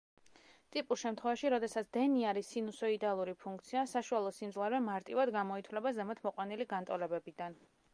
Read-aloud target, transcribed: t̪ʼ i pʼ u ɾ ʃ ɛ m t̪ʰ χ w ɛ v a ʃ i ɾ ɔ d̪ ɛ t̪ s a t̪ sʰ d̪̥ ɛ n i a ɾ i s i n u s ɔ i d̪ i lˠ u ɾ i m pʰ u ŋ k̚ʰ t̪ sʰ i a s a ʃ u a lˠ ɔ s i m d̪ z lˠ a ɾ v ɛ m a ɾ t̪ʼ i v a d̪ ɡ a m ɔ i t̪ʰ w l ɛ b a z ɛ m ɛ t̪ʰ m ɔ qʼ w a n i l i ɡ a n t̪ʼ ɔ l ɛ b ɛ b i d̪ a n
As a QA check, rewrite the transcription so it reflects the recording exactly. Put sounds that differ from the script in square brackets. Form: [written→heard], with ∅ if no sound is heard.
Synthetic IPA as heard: t̪ʼ i pʼ u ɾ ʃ ɛ m t̪ʰ χ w ɛ v a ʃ i ɾ ɔ d̪ ɛ [t̪→∅] s a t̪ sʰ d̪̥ ɛ n i a ɾ i s i n u s ɔ i d̪ [i→a] lˠ u ɾ i [m→∅] pʰ u ŋ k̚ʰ t̪ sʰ i a s a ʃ u a lˠ ɔ s i m d̪ z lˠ a ɾ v ɛ m a ɾ t̪ʼ i v a d̪ ɡ a m ɔ i t̪ʰ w l ɛ b a z ɛ m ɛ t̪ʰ m ɔ qʼ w a n i l i ɡ a n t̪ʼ ɔ l ɛ b ɛ b i d̪ a n